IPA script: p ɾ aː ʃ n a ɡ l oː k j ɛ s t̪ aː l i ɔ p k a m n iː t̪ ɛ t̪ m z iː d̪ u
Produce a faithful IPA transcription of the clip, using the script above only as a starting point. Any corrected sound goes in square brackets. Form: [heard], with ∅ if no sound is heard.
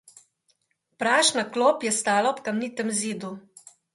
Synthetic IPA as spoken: p ɾ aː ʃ n a [k] l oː [p] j ɛ s t̪ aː l [a] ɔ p k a m n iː t̪ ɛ [∅] m z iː d̪ u